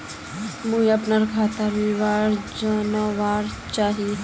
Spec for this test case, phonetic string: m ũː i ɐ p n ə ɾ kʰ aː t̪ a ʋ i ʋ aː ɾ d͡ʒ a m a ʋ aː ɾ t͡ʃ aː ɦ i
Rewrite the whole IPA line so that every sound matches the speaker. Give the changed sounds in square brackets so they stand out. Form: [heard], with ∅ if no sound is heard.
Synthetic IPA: m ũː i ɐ p n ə ɾ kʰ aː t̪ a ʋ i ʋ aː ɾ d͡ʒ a [n] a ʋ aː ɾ t͡ʃ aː ɦ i